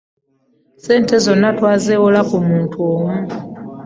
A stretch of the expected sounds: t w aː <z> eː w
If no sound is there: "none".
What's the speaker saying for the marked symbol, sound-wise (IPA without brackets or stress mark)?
z